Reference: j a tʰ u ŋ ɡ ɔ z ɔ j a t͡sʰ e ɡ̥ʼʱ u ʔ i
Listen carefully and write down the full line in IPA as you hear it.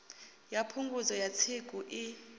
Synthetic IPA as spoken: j a pʰ u ŋ ɡ u z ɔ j a t͡sʰ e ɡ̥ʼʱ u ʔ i

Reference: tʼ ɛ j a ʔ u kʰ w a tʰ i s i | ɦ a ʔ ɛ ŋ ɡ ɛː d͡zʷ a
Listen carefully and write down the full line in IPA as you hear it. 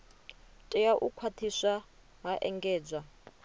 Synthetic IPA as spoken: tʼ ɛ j a ʔ u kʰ w a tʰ i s a | ɦ a ʔ ɛ ŋ ɡ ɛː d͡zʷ a

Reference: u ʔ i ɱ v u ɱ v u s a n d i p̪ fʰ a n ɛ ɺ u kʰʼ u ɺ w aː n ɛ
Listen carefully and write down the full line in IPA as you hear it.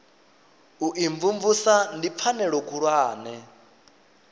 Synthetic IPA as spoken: u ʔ i ɱ v u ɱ v u s a n d i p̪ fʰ a n ɛ ɺ ɔ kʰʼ u ɺ w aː n ɛ

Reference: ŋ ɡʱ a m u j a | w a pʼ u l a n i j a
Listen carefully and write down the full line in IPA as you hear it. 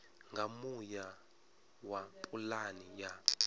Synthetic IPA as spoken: ŋ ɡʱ a m u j a | w a pʼ u l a n i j a

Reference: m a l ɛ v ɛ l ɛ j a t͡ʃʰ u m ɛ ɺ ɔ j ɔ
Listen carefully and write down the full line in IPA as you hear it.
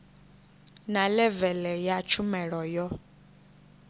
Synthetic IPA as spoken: n a l ɛ v ɛ l ɛ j a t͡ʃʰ u m ɛ ɺ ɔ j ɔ

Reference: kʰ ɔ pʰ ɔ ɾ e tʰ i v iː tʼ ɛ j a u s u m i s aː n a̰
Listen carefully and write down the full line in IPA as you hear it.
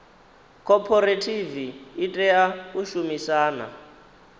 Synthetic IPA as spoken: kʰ ɔ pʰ ɔ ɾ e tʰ i v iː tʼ ɛ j a u ʃ u m i s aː n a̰

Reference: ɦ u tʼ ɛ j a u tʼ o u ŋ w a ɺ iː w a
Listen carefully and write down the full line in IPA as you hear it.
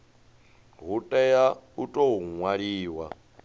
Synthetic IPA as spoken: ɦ u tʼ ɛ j a u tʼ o u ŋ w a ɺ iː w a

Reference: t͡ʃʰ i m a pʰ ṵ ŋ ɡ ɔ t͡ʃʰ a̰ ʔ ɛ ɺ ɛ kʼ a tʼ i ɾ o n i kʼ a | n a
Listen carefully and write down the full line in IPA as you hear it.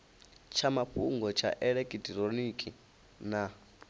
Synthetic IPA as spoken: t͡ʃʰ a m a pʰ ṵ ŋ ɡ ɔ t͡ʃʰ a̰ ʔ ɛ ɺ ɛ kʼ i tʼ i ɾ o n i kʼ i | n a

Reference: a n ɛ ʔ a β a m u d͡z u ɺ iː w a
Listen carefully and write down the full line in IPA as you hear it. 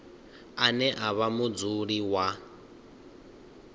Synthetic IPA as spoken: a n ɛ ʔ a β a m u d͡z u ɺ i w a

